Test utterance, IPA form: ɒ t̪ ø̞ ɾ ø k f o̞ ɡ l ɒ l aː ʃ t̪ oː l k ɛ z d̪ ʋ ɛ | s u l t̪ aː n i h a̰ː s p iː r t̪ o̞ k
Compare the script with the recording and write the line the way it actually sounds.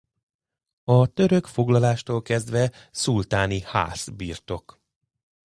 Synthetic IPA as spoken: ɒ t̪ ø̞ ɾ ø k f o̞ ɡ l ɒ l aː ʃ t̪ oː l k ɛ z d̪ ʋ ɛ | s u l t̪ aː n i h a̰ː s b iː r t̪ o̞ k